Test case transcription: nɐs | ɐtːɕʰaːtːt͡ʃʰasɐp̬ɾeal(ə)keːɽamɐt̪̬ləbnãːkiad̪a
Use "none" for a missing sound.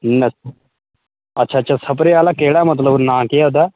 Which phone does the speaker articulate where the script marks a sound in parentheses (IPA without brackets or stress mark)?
a